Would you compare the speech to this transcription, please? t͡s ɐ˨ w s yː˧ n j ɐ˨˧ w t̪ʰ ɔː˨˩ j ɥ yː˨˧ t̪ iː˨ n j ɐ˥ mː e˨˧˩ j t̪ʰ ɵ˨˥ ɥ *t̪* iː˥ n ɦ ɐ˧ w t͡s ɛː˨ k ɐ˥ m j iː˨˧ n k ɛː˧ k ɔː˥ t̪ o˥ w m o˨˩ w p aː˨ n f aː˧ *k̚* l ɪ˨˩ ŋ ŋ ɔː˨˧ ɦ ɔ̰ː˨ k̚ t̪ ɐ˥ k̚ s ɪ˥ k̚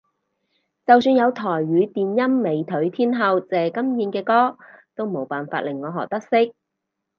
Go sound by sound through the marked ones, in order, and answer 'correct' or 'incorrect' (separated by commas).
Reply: incorrect, incorrect